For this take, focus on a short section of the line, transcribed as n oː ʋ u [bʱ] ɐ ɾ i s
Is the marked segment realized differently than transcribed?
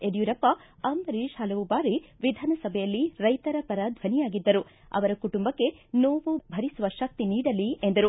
no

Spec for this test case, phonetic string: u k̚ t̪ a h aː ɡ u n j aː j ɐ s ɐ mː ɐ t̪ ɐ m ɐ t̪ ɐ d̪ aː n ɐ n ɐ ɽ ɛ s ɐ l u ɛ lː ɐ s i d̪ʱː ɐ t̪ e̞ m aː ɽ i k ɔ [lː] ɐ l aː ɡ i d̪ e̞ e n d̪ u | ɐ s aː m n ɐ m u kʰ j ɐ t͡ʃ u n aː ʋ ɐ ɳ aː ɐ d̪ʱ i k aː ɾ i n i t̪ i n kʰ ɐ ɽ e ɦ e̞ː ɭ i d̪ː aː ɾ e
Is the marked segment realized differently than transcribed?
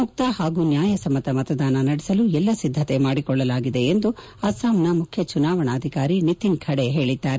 yes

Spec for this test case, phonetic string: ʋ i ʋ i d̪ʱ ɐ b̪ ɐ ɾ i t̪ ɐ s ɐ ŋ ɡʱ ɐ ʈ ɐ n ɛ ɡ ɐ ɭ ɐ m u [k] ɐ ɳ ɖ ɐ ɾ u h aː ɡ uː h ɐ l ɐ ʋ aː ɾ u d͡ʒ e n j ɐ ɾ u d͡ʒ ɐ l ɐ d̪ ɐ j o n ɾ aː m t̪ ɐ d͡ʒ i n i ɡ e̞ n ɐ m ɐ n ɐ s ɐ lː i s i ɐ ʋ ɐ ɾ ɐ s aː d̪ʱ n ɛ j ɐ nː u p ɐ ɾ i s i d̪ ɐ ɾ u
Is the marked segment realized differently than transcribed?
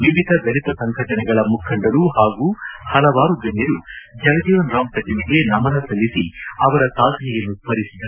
yes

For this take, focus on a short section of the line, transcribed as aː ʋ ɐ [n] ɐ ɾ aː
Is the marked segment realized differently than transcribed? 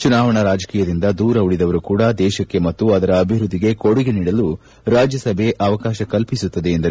yes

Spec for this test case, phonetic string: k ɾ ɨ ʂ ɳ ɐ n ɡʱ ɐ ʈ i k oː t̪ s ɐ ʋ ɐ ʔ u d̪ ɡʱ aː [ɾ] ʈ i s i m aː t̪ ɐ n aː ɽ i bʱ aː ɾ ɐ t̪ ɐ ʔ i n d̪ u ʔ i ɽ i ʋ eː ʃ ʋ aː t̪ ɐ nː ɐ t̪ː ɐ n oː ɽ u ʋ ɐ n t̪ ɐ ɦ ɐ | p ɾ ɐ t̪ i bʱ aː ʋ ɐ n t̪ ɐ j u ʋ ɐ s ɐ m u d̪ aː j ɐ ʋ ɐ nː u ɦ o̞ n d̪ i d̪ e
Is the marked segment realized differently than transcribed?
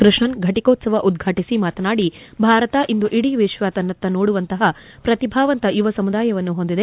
yes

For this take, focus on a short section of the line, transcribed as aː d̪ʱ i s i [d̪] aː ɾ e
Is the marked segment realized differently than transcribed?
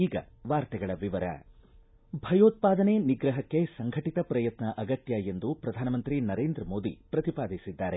yes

